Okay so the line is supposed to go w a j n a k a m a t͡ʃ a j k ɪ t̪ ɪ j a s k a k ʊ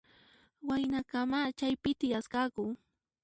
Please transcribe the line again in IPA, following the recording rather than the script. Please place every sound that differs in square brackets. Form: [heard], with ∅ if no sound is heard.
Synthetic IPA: w a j n a k a m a t͡ʃ a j [p] ɪ t̪ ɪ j a s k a k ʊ